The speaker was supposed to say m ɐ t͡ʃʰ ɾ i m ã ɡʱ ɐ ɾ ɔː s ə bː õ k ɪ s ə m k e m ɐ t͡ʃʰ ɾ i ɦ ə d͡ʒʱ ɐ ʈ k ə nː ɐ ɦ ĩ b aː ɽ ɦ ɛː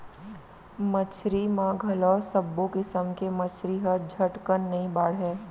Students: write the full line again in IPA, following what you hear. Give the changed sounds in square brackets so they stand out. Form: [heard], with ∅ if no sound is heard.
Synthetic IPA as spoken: m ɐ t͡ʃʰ ɾ i m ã ɡʱ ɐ [l] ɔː s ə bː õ k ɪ s ə m k e m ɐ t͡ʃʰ ɾ i ɦ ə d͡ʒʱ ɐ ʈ k ə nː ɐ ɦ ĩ b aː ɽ ɦ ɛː